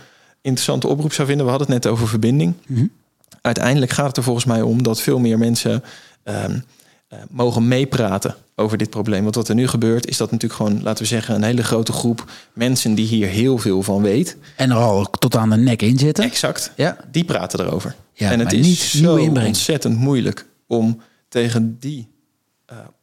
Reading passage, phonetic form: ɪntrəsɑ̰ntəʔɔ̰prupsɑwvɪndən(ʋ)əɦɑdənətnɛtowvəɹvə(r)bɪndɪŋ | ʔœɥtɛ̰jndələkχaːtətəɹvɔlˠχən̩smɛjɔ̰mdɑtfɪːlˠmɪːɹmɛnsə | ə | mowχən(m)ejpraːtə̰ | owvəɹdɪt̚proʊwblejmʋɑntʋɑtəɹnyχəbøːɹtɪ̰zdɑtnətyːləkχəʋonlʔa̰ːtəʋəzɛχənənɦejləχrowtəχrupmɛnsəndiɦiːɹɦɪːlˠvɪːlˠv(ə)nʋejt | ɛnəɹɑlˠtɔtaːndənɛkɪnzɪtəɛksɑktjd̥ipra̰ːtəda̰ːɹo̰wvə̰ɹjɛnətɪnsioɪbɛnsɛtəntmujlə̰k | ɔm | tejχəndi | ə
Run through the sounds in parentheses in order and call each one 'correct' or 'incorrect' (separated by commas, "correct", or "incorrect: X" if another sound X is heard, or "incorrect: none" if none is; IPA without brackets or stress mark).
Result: correct, incorrect: ɹ, correct, incorrect: ɑ